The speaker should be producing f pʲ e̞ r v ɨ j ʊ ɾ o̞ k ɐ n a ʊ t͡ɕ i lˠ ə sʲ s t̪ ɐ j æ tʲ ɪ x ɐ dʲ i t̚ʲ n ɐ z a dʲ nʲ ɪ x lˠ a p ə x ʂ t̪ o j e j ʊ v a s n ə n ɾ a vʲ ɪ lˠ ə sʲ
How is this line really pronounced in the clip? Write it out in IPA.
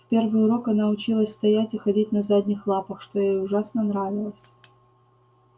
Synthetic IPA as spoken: f pʲ e̞ r v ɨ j ʊ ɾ o̞ k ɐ n a ʊ t͡ɕ i lˠ ə sʲ s t̪ ɐ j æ tʲ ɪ x ɐ dʲ i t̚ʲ n ɐ z a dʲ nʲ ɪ x lˠ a p ə x ʂ t̪ o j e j ʊ ʐ a s n ə n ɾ a vʲ ɪ lˠ ə sʲ